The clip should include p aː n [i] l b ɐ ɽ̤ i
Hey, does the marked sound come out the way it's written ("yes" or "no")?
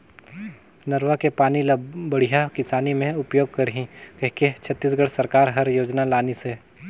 yes